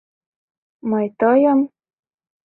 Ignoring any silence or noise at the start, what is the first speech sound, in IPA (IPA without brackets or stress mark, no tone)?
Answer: m